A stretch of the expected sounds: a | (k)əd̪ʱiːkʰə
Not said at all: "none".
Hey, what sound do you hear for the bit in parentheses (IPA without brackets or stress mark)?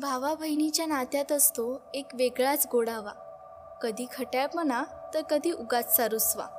k